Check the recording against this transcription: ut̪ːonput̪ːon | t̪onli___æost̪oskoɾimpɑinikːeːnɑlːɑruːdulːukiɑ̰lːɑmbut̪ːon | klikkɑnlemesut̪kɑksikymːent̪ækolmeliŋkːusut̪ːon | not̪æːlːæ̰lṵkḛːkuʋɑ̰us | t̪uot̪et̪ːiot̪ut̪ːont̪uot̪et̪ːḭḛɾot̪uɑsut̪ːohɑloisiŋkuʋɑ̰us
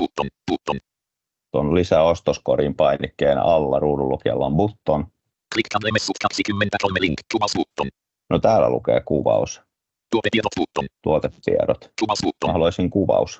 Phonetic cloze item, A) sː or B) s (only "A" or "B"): B